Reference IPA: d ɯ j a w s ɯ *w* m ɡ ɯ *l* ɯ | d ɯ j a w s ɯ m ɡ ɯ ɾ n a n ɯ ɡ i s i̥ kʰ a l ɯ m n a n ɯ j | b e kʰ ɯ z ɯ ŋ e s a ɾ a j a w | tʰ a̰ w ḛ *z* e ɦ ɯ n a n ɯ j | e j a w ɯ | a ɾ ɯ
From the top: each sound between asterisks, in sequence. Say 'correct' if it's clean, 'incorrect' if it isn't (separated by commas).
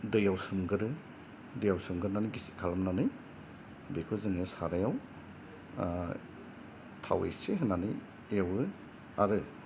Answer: incorrect, incorrect, incorrect